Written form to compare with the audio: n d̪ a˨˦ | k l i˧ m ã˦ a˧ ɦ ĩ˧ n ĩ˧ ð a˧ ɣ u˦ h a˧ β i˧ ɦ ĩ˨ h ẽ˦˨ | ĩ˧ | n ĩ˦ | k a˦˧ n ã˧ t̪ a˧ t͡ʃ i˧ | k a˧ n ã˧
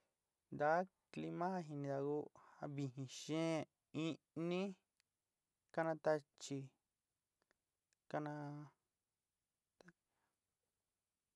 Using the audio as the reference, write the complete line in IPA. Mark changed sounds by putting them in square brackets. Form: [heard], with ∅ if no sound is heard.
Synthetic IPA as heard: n d̪ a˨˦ | k l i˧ m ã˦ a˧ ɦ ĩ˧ n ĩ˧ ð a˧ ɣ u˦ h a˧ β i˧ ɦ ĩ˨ [ʃ] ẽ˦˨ | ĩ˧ | n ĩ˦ | k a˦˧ n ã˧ t̪ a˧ t͡ʃ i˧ | k a˧ n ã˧